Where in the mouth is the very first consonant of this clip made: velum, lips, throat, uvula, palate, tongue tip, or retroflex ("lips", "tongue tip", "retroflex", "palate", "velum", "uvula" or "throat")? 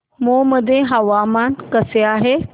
lips